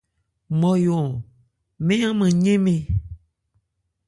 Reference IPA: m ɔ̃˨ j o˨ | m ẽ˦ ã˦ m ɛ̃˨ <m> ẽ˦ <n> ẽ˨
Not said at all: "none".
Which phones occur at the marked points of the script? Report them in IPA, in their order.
ɲ, m

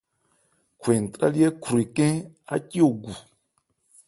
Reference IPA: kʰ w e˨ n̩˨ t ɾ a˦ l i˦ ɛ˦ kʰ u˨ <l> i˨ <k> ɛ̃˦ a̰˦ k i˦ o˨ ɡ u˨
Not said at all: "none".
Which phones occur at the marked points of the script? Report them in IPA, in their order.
ɾ, k

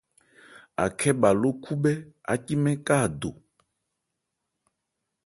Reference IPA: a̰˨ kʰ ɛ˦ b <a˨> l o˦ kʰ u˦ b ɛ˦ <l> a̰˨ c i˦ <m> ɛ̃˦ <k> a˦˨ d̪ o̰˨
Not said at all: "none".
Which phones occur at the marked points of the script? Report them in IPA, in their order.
a˨, none, m, k

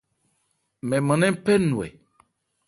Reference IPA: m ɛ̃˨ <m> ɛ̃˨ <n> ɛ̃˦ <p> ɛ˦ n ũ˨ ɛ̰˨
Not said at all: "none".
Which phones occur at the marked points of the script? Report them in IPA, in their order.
m, n, p

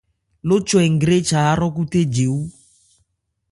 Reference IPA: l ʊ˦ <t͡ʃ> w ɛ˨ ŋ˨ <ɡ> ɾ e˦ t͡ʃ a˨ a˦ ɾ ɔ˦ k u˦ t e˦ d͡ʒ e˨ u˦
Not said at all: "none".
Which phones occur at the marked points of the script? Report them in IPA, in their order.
t͡ʃ, ɡ

